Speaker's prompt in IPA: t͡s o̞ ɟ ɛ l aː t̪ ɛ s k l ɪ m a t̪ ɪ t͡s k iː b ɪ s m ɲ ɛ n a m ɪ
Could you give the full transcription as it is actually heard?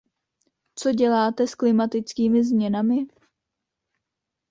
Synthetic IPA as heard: t͡s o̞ ɟ ɛ l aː t̪ ɛ s k l ɪ m a t̪ ɪ t͡s k iː m ɪ z m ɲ ɛ n a m ɪ